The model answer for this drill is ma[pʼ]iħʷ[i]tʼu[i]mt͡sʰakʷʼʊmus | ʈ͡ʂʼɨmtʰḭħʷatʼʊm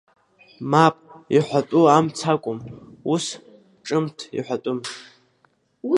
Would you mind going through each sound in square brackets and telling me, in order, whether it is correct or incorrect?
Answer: correct, incorrect: a, incorrect: a

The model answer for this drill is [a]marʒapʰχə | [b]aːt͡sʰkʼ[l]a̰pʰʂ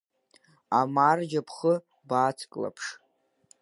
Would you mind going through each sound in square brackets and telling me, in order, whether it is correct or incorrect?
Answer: correct, correct, correct

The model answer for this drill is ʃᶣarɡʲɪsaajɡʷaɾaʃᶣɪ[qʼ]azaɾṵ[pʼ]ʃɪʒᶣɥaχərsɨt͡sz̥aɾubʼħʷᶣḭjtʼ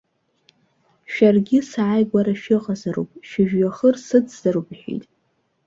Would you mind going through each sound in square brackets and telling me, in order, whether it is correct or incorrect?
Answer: correct, correct

